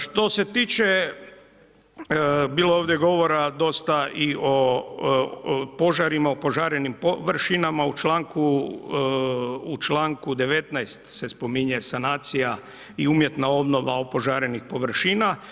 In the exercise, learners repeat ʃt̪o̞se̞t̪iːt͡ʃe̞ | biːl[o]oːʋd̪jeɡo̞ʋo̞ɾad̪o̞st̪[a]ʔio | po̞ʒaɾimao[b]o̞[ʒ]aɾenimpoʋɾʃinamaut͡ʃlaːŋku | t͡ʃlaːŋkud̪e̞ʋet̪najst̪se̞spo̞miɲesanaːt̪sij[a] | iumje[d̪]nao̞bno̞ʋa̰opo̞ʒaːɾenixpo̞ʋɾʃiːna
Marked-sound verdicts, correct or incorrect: correct, correct, incorrect: p, correct, correct, incorrect: t̪

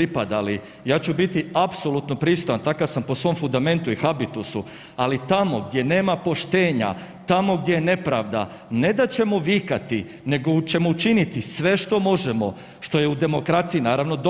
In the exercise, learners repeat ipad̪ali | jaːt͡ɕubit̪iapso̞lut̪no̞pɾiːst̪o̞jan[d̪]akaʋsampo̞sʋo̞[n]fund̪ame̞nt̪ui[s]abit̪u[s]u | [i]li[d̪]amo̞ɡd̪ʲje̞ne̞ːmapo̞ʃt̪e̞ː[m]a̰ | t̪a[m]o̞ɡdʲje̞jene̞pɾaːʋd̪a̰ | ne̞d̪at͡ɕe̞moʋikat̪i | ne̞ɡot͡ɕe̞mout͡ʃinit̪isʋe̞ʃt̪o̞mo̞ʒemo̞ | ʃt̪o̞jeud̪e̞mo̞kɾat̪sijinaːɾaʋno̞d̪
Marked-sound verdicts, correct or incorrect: incorrect: t̪, incorrect: m, incorrect: x, correct, incorrect: a, incorrect: t̪, incorrect: ɲ, correct

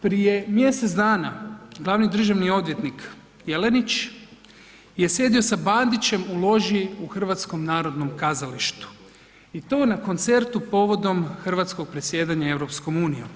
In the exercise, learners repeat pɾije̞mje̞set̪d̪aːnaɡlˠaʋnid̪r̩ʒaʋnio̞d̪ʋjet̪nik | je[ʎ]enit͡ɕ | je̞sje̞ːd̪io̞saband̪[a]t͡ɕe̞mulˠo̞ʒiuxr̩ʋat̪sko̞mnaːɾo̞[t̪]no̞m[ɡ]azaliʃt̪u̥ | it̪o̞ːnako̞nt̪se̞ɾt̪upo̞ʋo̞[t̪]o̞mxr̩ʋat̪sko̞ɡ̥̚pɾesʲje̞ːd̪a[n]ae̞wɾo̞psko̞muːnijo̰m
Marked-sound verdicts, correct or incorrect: incorrect: l, incorrect: i, incorrect: d̪, incorrect: k, incorrect: d̪, incorrect: ɲ

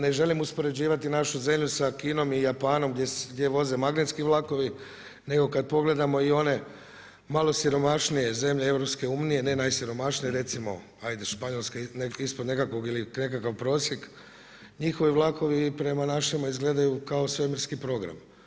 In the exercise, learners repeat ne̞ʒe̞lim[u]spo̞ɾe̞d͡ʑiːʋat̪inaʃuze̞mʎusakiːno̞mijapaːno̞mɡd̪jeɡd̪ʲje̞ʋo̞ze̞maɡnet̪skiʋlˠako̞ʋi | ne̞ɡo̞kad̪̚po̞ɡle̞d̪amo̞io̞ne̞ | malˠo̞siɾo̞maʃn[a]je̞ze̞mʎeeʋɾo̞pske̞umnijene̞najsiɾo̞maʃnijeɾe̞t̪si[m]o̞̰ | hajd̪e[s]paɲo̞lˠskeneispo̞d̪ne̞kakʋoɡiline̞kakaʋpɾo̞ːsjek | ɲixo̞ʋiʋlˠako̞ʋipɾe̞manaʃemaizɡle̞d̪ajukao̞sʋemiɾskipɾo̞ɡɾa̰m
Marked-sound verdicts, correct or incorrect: correct, incorrect: i, correct, incorrect: ʃ

